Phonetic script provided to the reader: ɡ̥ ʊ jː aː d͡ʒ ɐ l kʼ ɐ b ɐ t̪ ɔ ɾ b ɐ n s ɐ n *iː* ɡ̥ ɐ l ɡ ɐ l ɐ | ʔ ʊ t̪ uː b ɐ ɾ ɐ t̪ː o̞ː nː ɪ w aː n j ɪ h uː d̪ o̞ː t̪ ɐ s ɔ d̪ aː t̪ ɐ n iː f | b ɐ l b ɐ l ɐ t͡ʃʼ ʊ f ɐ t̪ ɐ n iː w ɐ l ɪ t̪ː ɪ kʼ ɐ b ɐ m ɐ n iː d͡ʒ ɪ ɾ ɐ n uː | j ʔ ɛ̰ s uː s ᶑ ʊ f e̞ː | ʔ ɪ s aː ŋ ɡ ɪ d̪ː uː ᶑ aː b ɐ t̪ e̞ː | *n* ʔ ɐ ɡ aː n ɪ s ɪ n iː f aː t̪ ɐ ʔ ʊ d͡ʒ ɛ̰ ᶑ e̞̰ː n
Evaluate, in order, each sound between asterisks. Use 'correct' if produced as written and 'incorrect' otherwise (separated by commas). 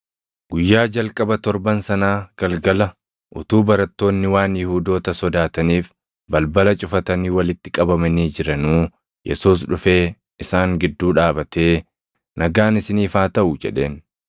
incorrect, correct